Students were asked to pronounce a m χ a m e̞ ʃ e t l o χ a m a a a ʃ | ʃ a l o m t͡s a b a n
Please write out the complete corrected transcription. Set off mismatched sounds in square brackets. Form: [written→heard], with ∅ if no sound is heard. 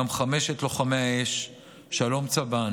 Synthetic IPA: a m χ a m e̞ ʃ e t l o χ a m [a→e] a [a→e] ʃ | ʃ a l o m t͡s a b a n

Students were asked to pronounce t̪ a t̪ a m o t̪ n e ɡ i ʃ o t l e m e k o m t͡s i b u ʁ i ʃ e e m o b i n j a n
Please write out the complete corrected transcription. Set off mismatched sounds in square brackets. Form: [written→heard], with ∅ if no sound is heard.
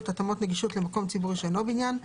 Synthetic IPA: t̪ a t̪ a m o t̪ n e ɡ i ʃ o t l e m [e→a] k o m t͡s i b u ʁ i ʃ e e [m→n] o b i n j a n

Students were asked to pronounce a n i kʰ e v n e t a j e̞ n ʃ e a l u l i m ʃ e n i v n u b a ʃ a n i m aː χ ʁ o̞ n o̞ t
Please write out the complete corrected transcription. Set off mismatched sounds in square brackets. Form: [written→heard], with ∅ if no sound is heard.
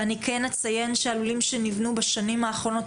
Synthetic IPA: a n i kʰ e [v→∅] n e [t→t͡s] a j e̞ n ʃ e a l u l i m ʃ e n i v n u b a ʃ a n i m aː χ ʁ o̞ n o̞ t

